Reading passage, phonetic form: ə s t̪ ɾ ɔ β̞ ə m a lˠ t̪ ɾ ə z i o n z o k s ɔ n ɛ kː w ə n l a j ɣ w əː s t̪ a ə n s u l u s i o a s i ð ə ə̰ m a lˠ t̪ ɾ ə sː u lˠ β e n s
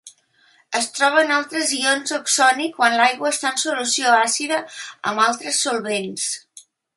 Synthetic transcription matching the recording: ə s t̪ ɾ ɔ β̞ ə n a lˠ t̪ ɾ ə z i o n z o k s ɔ n i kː w a n l a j ɣ w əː s t̪ a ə n s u l u s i o a s i ð ə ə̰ m a lˠ t̪ ɾ ə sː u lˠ β e n s